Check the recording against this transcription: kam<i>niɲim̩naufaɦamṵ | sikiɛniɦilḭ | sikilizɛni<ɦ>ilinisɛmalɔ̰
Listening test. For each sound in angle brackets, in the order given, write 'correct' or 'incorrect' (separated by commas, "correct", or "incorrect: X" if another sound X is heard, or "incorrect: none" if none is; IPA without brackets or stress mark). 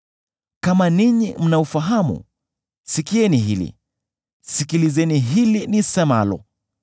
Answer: incorrect: a, correct